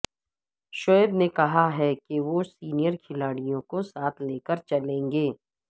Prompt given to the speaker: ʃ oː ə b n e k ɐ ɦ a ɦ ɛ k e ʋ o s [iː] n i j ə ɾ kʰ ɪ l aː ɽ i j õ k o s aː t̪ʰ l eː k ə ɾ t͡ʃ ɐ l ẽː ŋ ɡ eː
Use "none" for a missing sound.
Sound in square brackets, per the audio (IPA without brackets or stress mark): iː